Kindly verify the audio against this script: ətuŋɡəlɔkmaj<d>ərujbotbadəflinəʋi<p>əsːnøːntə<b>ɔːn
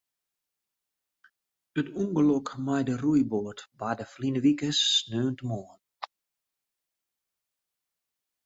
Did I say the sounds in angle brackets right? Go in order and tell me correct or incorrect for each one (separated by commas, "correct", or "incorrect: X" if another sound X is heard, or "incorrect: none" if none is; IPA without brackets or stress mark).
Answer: correct, incorrect: k, incorrect: m